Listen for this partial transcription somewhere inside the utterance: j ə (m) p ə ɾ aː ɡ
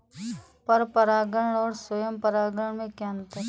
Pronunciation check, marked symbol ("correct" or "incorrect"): correct